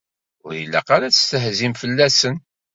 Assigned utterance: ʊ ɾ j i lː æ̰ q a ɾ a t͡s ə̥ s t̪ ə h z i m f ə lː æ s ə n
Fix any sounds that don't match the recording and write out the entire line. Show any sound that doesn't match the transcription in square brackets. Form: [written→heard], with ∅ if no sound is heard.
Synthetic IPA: ʊ ɾ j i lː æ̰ q a ɾ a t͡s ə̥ s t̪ ə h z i m f ə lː æ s ə n